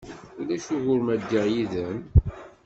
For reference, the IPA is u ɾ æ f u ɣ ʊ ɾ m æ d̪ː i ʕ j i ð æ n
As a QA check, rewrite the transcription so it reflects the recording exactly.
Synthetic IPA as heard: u l æ ʃ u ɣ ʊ ɾ m æ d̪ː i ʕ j i ð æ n